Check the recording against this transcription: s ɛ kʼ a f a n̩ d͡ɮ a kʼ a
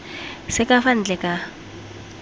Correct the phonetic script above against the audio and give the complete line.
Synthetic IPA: s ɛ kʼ a f a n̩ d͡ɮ ɛ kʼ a